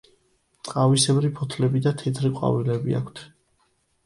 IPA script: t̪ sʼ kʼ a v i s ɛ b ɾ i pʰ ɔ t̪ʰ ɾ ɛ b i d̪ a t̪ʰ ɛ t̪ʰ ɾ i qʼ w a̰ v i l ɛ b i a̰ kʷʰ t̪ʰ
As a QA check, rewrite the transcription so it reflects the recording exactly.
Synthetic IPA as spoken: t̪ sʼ qʼ a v i s ɛ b ɾ i pʰ ɔ t̪ʰ l ɛ b i d̪ a t̪ʰ ɛ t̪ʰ ɾ i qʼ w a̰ v i l ɛ b i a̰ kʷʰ t̪ʰ